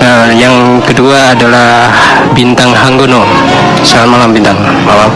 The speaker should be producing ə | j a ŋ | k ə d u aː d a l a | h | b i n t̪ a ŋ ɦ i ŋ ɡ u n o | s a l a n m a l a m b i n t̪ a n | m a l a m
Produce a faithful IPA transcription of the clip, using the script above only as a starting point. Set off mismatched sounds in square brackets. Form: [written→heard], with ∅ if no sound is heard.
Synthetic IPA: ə | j a ŋ | k ə d u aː d a l a | h | b i n t̪ a ŋ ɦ [i→a] ŋ ɡ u n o | s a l a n m a l a m b i n t̪ a [n→ŋ] | m a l a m